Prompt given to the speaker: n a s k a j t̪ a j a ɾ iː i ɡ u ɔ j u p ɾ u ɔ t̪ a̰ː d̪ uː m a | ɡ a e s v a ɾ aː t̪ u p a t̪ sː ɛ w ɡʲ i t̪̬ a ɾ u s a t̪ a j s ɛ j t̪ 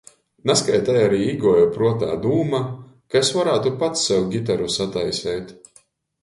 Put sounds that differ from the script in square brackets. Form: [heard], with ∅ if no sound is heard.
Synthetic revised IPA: n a s k a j t̪ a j a ɾ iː i ɡ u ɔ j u p ɾ u ɔ t̪ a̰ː d̪ uː m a | [k] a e s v a ɾ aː t̪ u p a t̪ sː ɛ w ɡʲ i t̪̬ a ɾ u s a t̪ a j s ɛ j t̪